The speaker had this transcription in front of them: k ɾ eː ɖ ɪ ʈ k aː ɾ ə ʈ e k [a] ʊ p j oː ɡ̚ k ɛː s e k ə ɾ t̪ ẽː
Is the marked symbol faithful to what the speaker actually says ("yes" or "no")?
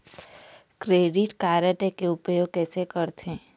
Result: no